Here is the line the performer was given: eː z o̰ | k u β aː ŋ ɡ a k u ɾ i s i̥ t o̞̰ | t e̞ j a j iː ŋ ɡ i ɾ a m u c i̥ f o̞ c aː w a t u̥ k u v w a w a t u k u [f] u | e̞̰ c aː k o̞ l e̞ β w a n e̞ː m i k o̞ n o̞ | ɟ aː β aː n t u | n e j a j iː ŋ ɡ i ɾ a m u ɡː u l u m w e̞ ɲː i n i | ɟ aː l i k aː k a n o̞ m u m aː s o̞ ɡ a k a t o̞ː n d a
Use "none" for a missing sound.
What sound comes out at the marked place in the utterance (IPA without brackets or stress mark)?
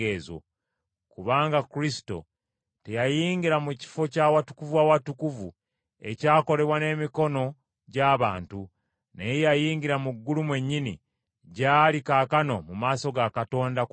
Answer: v